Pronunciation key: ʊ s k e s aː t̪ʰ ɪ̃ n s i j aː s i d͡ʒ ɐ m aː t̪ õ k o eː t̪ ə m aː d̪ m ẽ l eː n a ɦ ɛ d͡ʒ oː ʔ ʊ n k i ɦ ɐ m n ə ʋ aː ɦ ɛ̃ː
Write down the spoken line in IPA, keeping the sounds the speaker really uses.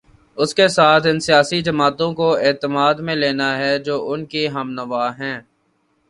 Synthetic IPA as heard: ʊ s k e s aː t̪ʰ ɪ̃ n s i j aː s i d͡ʒ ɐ m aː t̪ õ k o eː t̪ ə m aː d̪ m ẽ l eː n a ɦ ɛ d͡ʒ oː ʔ ʊ n k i ɦ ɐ m n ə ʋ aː ɦ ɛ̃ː